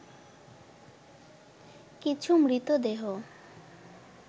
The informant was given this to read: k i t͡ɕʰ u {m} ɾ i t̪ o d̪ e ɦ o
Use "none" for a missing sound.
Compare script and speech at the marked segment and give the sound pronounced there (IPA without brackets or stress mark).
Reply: m